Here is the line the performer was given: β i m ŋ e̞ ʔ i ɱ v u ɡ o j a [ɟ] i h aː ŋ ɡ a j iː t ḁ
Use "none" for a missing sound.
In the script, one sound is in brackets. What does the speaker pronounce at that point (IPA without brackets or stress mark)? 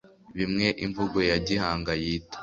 ɟ